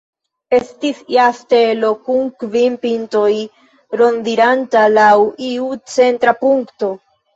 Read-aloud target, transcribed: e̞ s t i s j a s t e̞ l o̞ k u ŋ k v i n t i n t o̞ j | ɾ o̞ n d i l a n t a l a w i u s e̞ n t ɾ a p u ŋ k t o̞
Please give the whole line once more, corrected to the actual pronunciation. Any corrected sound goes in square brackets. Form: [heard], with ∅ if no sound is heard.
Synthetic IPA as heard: e̞ s t i s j a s t e̞ l o̞ k u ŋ k v i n [p] i n t o̞ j | ɾ o̞ n d i [ɾ] a n t a l a w i u [t͡s] e̞ n t ɾ a p u ŋ k t o̞